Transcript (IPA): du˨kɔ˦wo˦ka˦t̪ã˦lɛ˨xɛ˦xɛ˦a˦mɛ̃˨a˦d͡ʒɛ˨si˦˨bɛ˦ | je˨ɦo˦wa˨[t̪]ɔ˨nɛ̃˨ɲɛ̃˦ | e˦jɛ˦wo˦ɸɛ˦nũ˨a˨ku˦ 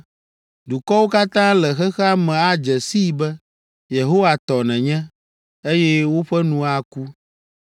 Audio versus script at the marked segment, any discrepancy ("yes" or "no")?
no